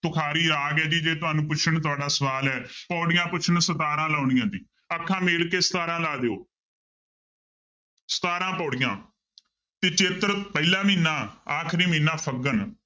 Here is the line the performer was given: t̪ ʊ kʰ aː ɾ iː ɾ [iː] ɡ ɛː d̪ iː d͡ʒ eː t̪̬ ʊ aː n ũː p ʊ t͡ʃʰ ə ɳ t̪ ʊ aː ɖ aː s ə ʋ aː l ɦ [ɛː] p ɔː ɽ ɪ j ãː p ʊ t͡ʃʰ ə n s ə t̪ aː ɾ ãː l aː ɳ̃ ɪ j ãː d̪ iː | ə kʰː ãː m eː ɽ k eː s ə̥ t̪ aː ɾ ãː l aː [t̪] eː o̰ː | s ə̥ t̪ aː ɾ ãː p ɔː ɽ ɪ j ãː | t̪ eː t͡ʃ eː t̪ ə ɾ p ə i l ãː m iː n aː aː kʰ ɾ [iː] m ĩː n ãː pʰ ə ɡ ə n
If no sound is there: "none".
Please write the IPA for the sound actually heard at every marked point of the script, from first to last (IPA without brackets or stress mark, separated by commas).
aː, ɛː, d̪, iː